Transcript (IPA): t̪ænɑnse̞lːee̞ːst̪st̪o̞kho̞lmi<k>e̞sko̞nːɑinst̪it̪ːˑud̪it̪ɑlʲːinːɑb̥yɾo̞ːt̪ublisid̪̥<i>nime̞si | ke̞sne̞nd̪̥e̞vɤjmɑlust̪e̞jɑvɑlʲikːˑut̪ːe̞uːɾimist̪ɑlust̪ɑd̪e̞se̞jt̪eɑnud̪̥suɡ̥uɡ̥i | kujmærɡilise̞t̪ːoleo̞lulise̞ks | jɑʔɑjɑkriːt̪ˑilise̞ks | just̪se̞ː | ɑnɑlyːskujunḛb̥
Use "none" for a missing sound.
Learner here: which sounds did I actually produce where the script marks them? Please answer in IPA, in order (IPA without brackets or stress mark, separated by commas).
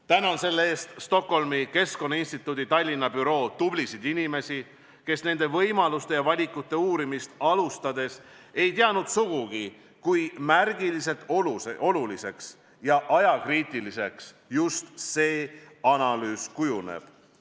k, i